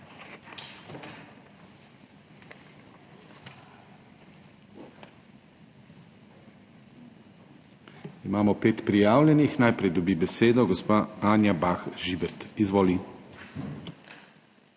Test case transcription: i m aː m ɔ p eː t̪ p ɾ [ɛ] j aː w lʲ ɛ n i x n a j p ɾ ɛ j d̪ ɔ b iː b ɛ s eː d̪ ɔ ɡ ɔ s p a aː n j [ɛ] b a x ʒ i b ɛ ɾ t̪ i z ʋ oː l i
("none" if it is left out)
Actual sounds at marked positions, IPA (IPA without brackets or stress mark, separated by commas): i, a